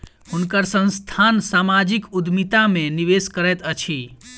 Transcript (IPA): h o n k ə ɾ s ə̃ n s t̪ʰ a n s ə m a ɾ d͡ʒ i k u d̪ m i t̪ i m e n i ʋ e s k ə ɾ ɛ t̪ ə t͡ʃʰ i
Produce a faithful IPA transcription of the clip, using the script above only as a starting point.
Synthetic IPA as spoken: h u n k ə ɾ s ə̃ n s t̪ʰ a n s a m a d͡ʒ i k u d̪ m i t̪ a m e n i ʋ e s k ə ɾ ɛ t̪ ə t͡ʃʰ i